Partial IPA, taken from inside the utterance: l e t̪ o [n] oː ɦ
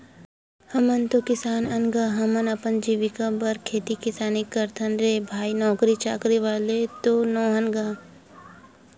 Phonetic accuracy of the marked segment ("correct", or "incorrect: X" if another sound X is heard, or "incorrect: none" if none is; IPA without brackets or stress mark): correct